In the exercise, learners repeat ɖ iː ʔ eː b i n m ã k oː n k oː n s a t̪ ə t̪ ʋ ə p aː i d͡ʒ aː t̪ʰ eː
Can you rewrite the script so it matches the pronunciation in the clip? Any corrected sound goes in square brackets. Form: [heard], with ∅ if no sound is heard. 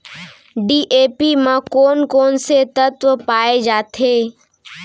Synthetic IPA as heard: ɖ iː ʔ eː [p] i [∅] m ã k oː n k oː n s [e] t̪ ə t̪ ʋ ə p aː [e] d͡ʒ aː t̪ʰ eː